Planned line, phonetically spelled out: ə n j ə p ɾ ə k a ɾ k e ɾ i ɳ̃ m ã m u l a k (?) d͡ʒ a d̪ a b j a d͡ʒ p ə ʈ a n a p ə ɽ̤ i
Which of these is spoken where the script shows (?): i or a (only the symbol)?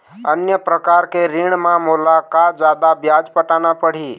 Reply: a